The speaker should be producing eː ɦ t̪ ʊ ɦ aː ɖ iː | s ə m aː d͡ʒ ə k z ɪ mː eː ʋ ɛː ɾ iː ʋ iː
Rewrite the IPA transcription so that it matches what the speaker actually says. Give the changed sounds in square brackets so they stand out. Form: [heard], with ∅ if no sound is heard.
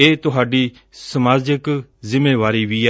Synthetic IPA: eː [∅] t̪ ʊ ɦ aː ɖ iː | s ə m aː d͡ʒ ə k z ɪ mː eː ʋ [aː] ɾ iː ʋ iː